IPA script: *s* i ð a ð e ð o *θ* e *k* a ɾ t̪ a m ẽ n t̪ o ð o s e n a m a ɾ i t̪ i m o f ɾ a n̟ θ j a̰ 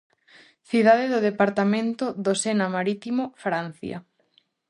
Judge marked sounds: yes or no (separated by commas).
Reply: no, no, no